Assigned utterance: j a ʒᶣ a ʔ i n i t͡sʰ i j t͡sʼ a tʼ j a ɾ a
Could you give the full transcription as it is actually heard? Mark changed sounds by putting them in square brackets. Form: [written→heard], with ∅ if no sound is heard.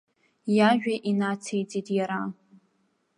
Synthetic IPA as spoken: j a ʒᶣ a ʔ i n [i→a] t͡sʰ [i→e] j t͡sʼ [a→i] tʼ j a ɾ a